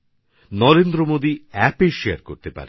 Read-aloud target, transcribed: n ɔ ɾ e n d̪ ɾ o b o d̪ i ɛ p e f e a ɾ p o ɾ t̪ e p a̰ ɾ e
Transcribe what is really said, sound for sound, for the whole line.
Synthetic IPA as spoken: n ɔ ɾ e n d̪ ɾ o m o d̪ i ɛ p e ʃ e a ɾ k o ɾ t̪ e p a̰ ɾ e